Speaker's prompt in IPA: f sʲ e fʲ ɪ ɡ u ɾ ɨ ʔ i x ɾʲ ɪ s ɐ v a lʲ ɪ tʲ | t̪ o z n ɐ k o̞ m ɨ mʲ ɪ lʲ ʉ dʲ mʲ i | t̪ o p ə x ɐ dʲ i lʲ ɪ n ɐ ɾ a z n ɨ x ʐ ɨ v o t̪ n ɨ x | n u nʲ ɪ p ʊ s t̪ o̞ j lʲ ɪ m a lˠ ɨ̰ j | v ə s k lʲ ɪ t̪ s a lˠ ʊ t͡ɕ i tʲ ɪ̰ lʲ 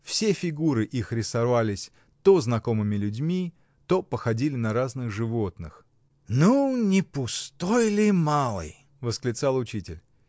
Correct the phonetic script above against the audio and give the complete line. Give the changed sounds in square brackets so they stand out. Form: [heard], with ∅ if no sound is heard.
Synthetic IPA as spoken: f sʲ e fʲ ɪ ɡ u ɾ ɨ ʔ i x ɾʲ ɪ s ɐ v a lʲ ɪ [sʲ] | t̪ o z n ɐ k o̞ m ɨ mʲ ɪ lʲ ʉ dʲ mʲ i | t̪ o p ə x ɐ dʲ i lʲ ɪ n ɐ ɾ a z n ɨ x ʐ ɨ v o t̪ n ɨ x | n u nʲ ɪ p ʊ s t̪ o̞ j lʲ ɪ m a lˠ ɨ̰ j | v ə s k lʲ ɪ t̪ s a lˠ ʊ t͡ɕ i tʲ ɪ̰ lʲ

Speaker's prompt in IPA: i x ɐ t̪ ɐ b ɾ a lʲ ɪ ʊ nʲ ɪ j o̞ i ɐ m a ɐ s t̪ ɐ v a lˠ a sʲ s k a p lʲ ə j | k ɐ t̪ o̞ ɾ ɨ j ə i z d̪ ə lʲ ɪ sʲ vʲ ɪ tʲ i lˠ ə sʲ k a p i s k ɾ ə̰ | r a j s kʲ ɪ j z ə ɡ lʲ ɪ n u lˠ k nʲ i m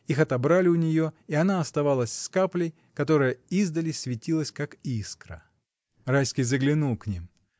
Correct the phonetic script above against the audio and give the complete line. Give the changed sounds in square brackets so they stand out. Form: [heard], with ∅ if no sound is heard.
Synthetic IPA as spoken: i x ɐ t̪ ɐ b ɾ a lʲ ɪ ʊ nʲ ɪ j o̞ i ɐ [n] a ɐ s t̪ ɐ v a lˠ [ə] sʲ s k a p lʲ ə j | k ɐ t̪ o̞ ɾ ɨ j ə i z d̪ ə lʲ ɪ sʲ vʲ ɪ tʲ i lˠ ə sʲ k a [k] i s k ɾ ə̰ | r a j s kʲ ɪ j z ə ɡ lʲ ɪ n u lˠ k nʲ i m

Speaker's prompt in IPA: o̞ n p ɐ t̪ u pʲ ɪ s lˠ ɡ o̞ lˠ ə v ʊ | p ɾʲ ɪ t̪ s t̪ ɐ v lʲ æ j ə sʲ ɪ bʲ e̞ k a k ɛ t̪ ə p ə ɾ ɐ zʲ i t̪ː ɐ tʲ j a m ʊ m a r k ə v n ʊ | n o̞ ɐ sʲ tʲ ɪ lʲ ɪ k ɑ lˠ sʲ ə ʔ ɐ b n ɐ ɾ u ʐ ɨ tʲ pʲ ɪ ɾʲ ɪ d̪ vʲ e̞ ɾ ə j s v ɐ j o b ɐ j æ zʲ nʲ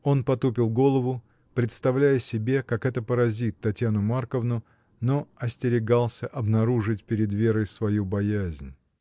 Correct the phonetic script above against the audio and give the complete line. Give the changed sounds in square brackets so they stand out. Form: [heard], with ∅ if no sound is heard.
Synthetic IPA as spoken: o̞ n p ɐ t̪ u pʲ ɪ [∅] lˠ ɡ o̞ lˠ ə v ʊ | p ɾʲ ɪ t̪ s t̪ ɐ v lʲ æ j ə sʲ ɪ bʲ e̞ k a k ɛ t̪ ə p ə ɾ ɐ zʲ i t̪ː ɐ tʲ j a [n] ʊ m a r k ə v n ʊ | n o̞ ɐ sʲ tʲ ɪ [ɾʲ] ɪ [ɡ] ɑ lˠ sʲ ə ʔ ɐ b n ɐ ɾ u ʐ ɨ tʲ pʲ ɪ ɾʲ ɪ d̪ vʲ e̞ ɾ ə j s v ɐ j [u] b ɐ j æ zʲ nʲ

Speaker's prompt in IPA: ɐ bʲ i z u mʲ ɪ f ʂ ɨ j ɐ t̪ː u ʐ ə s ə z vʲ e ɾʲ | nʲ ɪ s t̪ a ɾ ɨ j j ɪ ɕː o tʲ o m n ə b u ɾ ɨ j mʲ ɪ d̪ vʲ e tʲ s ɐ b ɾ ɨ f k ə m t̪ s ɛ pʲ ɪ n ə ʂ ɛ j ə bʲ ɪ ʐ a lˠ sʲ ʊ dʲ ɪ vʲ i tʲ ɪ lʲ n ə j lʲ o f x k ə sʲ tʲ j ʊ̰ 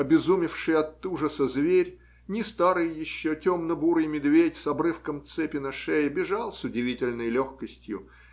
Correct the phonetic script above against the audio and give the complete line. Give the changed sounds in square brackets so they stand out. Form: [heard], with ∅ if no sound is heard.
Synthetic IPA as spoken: ɐ bʲ [ɪ] z u mʲ ɪ f ʂ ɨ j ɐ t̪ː u ʐ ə s ə z vʲ e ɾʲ | nʲ ɪ s t̪ a ɾ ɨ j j ɪ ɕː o tʲ o m n ə b u ɾ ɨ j mʲ ɪ d̪ vʲ e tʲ s ɐ b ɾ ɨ f k ə m t̪ s ɛ pʲ ɪ n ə ʂ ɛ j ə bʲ ɪ ʐ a lˠ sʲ ʊ dʲ ɪ vʲ i tʲ ɪ lʲ n ə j lʲ o [∅] x k ə sʲ tʲ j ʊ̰

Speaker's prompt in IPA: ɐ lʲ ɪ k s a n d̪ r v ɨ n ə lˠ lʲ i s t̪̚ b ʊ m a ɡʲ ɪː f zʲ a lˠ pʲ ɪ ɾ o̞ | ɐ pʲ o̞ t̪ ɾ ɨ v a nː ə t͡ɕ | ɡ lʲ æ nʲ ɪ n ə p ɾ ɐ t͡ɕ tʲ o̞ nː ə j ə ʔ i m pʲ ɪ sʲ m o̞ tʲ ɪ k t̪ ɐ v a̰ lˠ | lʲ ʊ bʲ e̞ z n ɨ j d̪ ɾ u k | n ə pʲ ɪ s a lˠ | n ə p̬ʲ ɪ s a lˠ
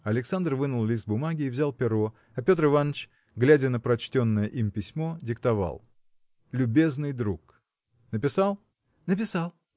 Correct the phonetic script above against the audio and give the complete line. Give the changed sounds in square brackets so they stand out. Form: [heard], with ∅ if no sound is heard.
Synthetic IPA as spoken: ɐ lʲ ɪ k s a n d̪ r v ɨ n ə lˠ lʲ i s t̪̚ b ʊ m a ɡʲ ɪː [v] zʲ a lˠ pʲ ɪ ɾ o̞ | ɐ pʲ o̞ t̪ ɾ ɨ v a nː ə t͡ɕ | ɡ lʲ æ [dʲ] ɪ n ə p ɾ ɐ t͡ɕ tʲ o̞ nː ə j ə ʔ i m pʲ ɪ sʲ m o̞ [dʲ] ɪ k t̪ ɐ v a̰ lˠ | lʲ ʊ bʲ e̞ z n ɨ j d̪ ɾ u k | n ə pʲ ɪ s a lˠ | n ə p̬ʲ ɪ s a lˠ

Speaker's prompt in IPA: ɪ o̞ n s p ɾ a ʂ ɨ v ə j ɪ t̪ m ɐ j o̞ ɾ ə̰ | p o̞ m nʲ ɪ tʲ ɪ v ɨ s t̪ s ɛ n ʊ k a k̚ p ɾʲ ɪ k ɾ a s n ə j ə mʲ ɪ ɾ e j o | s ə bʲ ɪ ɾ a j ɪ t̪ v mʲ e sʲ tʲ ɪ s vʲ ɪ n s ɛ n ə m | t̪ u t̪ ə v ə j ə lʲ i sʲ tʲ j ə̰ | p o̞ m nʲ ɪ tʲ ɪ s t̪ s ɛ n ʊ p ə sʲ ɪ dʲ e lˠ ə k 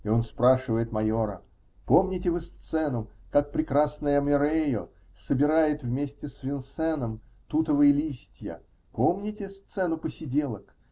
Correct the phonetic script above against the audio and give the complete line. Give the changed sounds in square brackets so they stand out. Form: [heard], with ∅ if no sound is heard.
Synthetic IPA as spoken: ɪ o̞ n s p ɾ a ʂ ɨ v ə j ɪ t̪ m ɐ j o̞ ɾ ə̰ | p o̞ m nʲ ɪ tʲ ɪ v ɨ s t̪ s ɛ n ʊ k a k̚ p ɾʲ ɪ k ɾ a s n ə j ə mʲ ɪ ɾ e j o | s ə bʲ ɪ ɾ a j ɪ t̪ v mʲ e sʲ tʲ ɪ s vʲ ɪ n s ɛ n ə m | t̪ u t̪ ə v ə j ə lʲ i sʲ tʲ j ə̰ | p o̞ m nʲ ɪ tʲ ɪ s t̪ s ɛ n ʊ p ə sʲ ɪ dʲ e lˠ ə k

